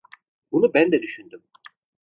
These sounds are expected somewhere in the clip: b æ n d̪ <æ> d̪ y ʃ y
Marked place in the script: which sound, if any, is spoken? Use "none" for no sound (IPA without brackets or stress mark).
ɛ